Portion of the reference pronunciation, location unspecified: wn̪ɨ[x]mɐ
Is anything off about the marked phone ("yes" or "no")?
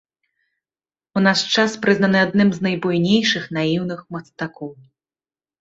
no